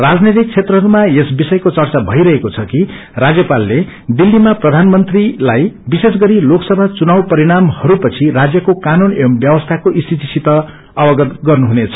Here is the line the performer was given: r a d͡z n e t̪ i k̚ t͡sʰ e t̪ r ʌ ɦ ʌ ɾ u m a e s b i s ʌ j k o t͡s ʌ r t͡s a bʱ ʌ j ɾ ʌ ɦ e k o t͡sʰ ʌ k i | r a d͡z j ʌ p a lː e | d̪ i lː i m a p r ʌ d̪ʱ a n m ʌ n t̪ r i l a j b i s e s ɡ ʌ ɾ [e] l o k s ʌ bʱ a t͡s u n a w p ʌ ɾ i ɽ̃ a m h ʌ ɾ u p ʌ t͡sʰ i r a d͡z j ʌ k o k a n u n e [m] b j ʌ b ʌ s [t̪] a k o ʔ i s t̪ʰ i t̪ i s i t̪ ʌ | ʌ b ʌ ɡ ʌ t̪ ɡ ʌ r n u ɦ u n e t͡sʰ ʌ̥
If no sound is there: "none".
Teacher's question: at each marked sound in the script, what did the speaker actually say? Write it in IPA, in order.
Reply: i, m, t̪ʰ

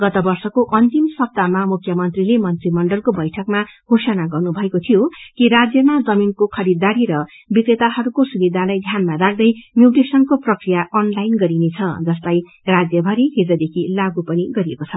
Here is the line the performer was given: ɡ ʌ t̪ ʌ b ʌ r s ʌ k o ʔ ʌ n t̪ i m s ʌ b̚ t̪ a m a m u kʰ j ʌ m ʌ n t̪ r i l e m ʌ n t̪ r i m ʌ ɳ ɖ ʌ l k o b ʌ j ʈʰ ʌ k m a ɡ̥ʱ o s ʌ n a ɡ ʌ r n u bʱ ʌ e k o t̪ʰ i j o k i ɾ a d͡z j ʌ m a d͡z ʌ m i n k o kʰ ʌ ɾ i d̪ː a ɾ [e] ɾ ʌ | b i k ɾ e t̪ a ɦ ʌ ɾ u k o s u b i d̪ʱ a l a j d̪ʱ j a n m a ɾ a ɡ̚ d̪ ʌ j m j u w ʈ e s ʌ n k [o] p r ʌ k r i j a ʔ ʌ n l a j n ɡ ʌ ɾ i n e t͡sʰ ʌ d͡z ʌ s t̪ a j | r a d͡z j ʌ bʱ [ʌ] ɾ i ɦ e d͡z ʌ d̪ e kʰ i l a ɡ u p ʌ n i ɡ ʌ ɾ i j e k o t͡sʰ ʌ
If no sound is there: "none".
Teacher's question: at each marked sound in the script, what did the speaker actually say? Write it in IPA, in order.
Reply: i, o, ʌ

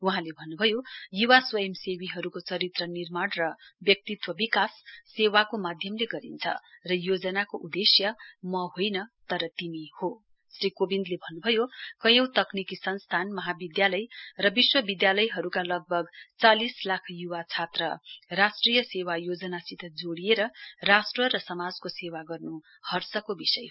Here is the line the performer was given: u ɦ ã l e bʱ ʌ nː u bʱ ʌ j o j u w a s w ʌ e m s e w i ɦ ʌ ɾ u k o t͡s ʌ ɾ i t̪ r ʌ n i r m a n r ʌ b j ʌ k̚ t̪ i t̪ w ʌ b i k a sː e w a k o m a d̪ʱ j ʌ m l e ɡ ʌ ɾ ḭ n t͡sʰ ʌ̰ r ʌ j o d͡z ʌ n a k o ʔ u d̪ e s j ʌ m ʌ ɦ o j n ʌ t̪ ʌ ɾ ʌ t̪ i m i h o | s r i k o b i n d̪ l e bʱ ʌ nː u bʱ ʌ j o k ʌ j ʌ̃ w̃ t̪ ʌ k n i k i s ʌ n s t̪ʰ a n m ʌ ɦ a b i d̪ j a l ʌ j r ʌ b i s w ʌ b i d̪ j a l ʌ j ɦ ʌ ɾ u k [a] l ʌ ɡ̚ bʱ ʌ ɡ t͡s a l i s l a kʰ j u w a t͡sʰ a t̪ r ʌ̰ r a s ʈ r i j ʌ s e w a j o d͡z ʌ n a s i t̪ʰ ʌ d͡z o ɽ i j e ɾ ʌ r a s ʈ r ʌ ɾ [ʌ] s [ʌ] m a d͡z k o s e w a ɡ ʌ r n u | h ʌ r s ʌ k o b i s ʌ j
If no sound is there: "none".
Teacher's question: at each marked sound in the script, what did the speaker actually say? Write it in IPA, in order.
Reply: a, ʌ, ʌ

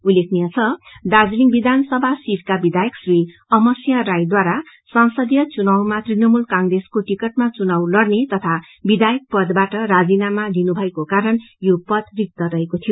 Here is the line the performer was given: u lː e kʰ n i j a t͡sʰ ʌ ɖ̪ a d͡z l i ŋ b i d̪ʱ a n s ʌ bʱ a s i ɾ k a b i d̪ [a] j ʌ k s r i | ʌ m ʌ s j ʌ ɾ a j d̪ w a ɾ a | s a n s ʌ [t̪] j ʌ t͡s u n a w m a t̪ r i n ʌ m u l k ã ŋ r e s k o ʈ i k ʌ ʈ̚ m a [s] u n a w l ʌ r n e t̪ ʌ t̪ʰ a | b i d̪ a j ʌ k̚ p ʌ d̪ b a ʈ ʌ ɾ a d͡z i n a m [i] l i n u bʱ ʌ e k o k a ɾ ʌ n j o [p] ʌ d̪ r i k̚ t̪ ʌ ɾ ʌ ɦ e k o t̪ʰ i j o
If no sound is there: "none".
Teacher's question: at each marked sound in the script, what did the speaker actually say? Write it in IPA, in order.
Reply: a, d̪, t͡s, a, p

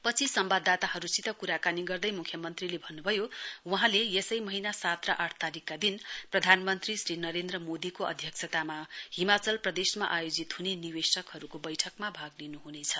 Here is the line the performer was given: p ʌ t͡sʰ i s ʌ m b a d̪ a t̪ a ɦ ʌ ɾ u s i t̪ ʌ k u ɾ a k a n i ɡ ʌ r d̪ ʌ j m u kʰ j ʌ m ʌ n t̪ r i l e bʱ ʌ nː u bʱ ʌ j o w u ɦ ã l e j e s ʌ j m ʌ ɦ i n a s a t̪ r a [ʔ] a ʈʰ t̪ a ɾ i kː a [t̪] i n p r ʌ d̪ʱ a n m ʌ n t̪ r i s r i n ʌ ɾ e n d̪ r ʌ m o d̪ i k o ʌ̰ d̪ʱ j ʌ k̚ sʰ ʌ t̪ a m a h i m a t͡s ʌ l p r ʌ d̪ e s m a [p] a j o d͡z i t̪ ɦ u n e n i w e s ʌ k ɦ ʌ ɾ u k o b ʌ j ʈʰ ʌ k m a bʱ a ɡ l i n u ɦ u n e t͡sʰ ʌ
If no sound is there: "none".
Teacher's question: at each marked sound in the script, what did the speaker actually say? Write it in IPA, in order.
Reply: ʔ, d̪, ʔ

